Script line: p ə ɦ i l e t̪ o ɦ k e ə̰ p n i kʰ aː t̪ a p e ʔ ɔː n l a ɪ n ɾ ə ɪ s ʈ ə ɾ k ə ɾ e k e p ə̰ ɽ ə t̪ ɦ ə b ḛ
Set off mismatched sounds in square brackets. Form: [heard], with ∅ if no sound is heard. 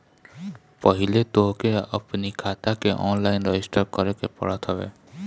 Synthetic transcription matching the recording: p ə ɦ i l e t̪ o ɦ k e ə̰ p n i kʰ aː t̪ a [k] e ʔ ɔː n l a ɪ n ɾ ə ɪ s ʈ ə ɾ k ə ɾ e k e p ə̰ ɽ ə t̪ ɦ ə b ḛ